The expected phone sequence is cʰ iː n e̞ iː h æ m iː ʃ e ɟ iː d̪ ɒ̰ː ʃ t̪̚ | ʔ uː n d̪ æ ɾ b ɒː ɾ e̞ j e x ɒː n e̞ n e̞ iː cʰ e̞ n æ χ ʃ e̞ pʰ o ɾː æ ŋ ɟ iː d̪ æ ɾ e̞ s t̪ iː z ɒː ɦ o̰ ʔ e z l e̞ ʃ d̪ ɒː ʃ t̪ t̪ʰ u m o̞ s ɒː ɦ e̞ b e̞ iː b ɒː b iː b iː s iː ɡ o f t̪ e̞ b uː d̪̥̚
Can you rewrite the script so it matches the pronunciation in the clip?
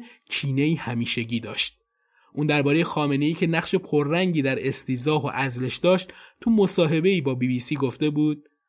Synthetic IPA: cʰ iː n e̞ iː h æ m iː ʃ e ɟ iː d̪ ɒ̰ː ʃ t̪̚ | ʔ uː n d̪ æ ɾ b ɒː ɾ e̞ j e x ɒː m e̞ n e̞ iː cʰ e̞ n æ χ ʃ e̞ pʰ o ɾː æ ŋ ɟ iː d̪ æ ɾ e̞ s t̪ iː z ɒː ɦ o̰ ʔ æ z l e̞ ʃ d̪ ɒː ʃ t̪ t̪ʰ u m o̞ s ɒː ɦ e̞ b e̞ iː b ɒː b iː b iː s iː ɡ o f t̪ e̞ b uː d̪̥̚